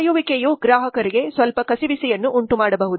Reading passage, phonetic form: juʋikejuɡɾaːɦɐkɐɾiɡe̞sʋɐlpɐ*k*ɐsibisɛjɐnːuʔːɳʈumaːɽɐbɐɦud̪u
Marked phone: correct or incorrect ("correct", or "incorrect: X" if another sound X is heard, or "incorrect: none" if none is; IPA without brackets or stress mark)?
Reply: correct